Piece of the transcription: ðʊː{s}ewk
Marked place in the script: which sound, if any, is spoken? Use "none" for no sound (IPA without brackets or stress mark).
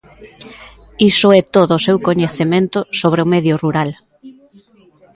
s